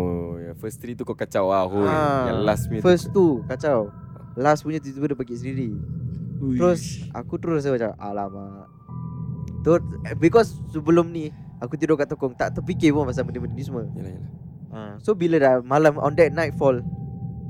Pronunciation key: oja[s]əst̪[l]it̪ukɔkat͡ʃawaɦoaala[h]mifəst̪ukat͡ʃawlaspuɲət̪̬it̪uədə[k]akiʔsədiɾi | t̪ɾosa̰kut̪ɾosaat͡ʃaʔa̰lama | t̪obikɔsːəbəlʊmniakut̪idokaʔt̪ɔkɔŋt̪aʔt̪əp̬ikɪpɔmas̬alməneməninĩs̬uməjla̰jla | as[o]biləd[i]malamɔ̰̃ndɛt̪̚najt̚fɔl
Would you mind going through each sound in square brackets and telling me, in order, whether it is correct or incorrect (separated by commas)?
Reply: incorrect, incorrect, incorrect, incorrect, correct, incorrect